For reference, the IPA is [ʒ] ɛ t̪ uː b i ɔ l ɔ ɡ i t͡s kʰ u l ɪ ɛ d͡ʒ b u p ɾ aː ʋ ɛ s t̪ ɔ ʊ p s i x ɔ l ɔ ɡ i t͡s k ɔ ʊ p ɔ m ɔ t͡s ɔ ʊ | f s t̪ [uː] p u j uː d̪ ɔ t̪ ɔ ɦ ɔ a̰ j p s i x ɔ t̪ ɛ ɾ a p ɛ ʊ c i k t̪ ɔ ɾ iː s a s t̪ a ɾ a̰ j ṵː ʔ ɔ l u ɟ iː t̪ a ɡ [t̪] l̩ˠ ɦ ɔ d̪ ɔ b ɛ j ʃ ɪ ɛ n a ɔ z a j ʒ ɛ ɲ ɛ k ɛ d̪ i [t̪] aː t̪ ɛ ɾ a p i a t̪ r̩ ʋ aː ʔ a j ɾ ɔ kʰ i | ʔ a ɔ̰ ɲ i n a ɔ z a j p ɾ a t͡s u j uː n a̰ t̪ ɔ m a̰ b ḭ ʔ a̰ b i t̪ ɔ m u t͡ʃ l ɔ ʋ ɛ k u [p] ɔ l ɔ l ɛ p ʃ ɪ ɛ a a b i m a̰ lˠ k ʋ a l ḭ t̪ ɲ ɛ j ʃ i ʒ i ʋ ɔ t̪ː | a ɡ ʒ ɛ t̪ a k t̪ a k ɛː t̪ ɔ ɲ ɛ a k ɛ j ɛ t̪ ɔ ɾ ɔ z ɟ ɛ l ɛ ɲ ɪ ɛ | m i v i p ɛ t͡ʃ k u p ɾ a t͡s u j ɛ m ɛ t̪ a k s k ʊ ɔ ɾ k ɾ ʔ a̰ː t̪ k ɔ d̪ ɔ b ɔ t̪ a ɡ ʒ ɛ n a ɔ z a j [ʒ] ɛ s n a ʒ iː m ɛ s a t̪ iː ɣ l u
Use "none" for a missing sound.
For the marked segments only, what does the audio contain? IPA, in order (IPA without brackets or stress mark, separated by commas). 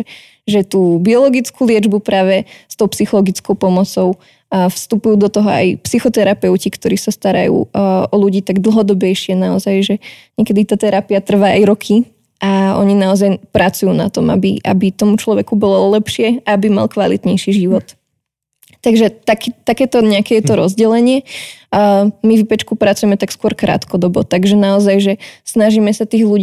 ʒ, u, d̪, t̪, b, ʒ